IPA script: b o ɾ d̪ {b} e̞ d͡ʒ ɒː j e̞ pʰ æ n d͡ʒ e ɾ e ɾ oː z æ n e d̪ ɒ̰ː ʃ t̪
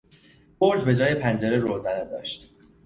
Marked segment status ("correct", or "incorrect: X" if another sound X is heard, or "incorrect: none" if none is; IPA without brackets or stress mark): correct